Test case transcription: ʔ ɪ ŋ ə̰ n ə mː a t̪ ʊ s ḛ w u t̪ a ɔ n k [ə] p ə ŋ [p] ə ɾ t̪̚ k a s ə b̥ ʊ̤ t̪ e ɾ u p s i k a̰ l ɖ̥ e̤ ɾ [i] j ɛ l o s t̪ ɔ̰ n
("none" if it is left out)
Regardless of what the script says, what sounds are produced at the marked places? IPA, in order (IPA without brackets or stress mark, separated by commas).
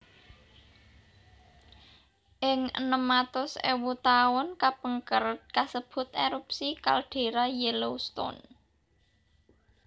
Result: a, k, a